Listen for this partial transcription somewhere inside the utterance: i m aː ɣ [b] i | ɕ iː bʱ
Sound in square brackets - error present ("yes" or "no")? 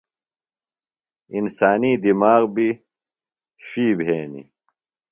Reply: no